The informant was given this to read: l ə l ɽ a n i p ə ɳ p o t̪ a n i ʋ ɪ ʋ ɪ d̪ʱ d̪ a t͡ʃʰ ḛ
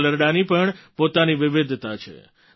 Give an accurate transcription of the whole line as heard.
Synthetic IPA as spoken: l ə ɾ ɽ a n i p ə ɳ p o t̪ a n i ʋ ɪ ʋ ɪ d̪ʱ t̪ a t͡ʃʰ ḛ

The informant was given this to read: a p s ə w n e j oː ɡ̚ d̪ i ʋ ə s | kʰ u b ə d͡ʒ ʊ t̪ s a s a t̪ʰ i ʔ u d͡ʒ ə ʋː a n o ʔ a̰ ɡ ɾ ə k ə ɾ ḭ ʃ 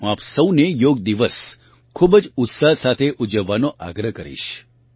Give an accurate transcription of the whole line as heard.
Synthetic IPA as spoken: a p s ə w n e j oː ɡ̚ d̪ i ʋ ə s | kʰ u b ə d͡ʒ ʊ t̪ s a s a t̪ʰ e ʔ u d͡ʒ ə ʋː a n o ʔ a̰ ɡ ɾ ə k ə ɾ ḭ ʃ

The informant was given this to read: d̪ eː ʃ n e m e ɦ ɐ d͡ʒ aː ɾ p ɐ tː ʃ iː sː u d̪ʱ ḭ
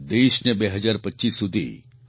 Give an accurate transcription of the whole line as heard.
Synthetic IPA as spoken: d̪ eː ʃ n e b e ɦ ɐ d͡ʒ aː ɾ p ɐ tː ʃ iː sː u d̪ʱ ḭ

